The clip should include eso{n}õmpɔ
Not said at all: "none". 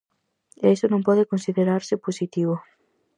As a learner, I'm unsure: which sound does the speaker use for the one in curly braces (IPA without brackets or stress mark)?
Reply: n